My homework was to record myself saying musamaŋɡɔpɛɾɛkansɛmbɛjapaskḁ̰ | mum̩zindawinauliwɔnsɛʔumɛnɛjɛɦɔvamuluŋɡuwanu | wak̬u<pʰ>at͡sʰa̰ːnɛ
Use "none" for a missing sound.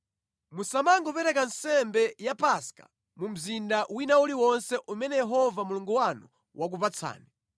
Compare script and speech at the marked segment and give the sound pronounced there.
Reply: p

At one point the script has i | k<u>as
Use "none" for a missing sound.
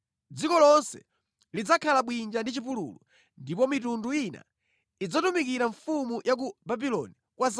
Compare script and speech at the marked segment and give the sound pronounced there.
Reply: w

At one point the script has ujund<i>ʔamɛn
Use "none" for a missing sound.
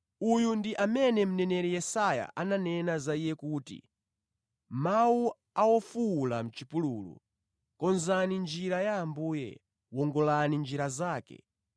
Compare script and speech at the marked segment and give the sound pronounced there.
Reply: i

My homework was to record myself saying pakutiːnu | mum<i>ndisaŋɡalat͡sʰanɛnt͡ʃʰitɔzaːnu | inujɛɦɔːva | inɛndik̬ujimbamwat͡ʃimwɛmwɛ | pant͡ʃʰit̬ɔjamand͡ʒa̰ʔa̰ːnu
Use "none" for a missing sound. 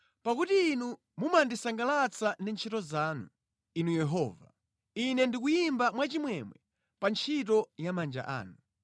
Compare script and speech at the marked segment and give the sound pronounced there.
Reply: a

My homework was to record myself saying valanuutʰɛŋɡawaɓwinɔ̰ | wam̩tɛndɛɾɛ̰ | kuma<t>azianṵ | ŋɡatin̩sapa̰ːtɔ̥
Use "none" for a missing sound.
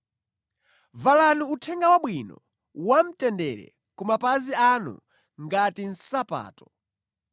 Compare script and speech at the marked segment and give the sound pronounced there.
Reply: p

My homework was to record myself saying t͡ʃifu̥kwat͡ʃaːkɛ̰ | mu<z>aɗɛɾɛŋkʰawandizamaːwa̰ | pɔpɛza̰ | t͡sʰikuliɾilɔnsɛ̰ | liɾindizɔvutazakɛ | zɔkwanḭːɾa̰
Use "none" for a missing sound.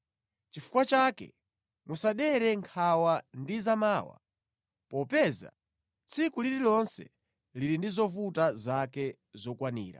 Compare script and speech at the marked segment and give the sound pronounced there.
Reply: s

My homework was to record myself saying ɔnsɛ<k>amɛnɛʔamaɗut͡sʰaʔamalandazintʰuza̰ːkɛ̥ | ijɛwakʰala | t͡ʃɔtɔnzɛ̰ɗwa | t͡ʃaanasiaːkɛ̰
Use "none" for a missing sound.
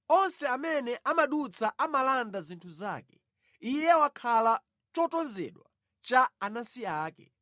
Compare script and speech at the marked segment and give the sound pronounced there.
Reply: none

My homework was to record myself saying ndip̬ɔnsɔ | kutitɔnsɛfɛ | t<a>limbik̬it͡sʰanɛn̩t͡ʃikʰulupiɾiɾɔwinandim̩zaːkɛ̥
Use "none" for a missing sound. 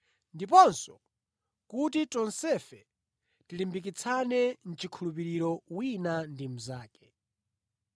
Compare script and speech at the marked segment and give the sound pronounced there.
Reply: i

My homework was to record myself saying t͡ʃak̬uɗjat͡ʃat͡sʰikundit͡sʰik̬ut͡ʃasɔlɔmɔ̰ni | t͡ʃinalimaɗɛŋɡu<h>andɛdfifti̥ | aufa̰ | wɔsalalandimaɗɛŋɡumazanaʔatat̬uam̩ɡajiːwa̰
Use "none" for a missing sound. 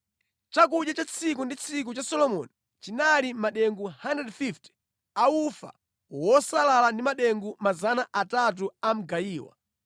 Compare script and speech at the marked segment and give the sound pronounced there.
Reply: h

